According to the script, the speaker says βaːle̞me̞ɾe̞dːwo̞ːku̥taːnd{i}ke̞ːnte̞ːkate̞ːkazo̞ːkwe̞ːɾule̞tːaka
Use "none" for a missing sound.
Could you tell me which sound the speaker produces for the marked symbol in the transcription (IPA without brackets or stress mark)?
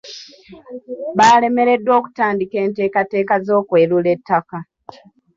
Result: i